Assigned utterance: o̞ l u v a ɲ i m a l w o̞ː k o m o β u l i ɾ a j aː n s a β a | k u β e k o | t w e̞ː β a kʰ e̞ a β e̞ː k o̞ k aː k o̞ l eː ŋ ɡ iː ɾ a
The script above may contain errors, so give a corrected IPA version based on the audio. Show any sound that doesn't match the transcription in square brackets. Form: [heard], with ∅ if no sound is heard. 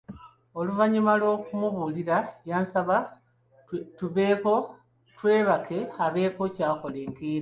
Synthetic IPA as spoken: o̞ l u v a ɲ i m a l w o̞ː k [u] m [u] β u l i ɾ a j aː n s a β a | [t] u β e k o | t w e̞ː β a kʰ e̞ a β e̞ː k o̞ [c] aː k o̞ l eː ŋ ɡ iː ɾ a